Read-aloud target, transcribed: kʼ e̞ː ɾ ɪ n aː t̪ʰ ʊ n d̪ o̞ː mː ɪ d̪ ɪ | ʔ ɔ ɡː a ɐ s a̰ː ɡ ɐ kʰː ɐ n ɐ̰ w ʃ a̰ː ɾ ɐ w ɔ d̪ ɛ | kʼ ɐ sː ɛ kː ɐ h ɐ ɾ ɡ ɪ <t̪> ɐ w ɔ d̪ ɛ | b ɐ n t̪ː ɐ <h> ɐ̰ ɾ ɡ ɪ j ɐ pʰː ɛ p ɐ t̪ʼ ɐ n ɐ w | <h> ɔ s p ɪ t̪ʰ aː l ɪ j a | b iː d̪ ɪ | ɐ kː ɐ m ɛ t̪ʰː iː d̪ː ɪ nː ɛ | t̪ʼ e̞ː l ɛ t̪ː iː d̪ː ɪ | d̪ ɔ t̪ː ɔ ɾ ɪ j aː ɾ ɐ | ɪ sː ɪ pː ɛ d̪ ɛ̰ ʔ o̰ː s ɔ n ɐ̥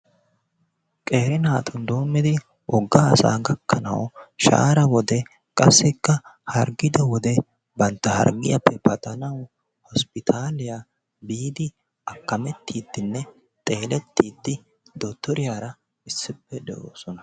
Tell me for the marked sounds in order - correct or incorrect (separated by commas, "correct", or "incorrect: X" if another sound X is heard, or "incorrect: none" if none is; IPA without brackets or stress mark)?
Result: incorrect: d̪, correct, correct